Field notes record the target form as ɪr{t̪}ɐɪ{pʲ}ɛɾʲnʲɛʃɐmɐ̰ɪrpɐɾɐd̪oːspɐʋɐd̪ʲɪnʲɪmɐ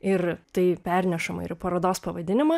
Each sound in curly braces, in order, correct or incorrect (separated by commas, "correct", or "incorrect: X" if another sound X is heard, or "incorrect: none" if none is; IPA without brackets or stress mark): correct, correct